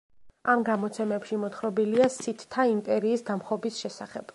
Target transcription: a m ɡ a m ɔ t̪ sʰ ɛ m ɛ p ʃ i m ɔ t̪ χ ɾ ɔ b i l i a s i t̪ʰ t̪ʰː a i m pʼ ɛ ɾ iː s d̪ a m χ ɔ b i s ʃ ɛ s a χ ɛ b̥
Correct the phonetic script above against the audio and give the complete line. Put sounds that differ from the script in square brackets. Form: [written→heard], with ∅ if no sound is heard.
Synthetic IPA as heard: a m ɡ a m ɔ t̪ sʰ ɛ m ɛ p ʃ i m ɔ t̪ χ ɾ ɔ b i l i a s i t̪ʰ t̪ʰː a i m pʼ ɛ ɾ iː s d̪ a m χ ɔ b i s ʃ ɛ s a χ ɛ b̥